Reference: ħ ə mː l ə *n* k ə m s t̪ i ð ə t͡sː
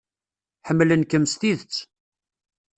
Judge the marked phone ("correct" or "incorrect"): correct